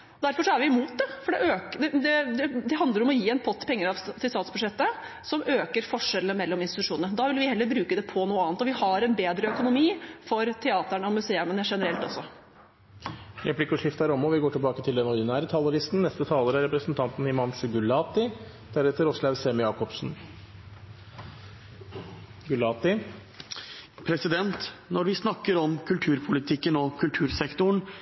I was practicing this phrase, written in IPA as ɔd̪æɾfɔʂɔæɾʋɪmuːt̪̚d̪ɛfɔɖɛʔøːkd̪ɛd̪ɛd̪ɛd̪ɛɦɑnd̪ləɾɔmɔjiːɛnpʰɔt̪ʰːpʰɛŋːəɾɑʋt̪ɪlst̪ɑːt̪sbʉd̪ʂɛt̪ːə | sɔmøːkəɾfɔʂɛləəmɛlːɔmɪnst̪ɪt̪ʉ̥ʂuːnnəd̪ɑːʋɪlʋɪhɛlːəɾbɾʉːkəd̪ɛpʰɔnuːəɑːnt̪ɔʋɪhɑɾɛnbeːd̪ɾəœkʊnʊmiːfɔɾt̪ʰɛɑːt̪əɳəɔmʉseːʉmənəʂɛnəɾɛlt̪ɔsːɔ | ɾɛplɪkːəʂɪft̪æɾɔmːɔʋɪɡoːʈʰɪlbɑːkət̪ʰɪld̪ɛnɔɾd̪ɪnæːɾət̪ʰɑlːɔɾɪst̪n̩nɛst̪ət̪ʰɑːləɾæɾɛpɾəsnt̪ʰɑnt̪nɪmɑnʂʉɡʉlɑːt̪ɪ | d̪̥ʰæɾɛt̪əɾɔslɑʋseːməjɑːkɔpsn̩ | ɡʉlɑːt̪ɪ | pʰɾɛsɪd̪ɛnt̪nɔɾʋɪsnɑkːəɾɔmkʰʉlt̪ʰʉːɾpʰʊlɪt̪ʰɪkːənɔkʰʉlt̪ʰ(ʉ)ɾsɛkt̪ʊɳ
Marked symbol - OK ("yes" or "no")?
no